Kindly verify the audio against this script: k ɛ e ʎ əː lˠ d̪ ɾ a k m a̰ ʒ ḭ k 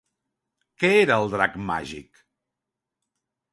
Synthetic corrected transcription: k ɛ e ɾ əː lˠ d̪ ɾ a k m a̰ ʒ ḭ k

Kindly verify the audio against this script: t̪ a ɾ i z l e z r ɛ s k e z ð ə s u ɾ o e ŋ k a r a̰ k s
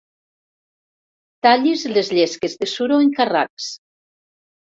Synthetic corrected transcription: t̪ a ʎ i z l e z ʎ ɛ s k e z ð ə s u ɾ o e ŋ k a r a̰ k s

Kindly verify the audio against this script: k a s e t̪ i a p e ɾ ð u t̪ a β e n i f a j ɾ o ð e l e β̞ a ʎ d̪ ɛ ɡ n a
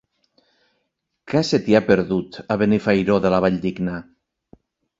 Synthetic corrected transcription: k a s e t̪ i a p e ɾ ð u t̪ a β e n i f a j ɾ o ð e l a β̞ a ʎ d̪ i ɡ n a

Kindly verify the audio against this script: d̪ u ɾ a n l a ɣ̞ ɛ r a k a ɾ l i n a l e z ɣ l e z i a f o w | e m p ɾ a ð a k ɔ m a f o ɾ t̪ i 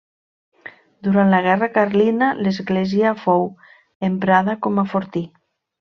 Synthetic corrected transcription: d̪ u ɾ a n l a ɣ̞ ɛ r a k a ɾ l i n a l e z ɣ l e z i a f o w | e m p ɾ a ð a k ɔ m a f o ɾ t̪ i

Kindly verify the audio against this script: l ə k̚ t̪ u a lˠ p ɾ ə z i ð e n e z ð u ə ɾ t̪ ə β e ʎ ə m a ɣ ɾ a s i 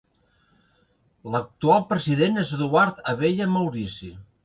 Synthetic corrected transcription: l ə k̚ t̪ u a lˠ p ɾ ə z i ð e n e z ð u a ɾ t̪ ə β e ʎ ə m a w ɾ i s i

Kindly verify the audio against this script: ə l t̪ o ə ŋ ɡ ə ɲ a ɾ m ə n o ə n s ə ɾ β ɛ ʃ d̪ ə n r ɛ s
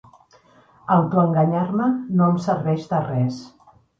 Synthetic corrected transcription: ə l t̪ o ə ŋ ɡ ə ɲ a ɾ m ə n o ə m s ə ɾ β ɛ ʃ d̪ ə r ɛ s

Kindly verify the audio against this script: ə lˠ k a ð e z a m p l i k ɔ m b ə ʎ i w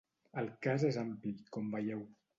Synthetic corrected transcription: ə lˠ k a z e z a m p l i k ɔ m b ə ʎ ɛ w

